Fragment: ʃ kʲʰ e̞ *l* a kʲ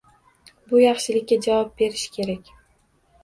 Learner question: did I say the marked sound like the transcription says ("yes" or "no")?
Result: no